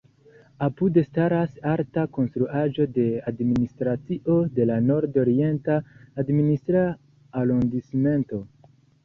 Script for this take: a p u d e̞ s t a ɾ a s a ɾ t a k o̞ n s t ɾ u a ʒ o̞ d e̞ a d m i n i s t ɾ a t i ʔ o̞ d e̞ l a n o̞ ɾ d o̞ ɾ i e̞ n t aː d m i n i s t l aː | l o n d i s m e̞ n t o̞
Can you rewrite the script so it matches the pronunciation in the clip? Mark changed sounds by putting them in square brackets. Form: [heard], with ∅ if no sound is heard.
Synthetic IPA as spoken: a p u d e̞ s t a ɾ a s a ɾ t a k o̞ n s t ɾ u a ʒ o̞ d e̞ a d m i n i s t ɾ a [t͡s] i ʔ o̞ d e̞ l a n o̞ ɾ d o̞ ɾ i e̞ n t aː d m i n i s t [ɾ] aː | l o n d i s m e̞ n t o̞